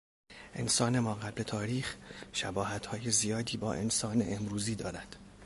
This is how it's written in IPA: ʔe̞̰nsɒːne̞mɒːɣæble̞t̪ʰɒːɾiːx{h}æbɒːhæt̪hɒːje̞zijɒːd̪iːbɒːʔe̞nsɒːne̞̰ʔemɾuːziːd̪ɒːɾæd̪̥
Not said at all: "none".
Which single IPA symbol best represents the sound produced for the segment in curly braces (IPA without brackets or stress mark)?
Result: ʃ